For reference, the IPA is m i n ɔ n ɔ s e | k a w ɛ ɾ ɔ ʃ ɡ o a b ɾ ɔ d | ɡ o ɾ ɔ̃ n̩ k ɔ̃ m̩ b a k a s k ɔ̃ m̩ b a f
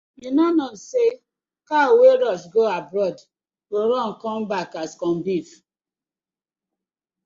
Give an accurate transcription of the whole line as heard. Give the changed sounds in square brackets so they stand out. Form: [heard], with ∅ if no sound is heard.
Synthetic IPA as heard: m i n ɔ n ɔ s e | k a w [e] ɾ ɔ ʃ ɡ o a b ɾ ɔ d | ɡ o ɾ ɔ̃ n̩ k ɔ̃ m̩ b a k a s k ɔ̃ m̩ b [i] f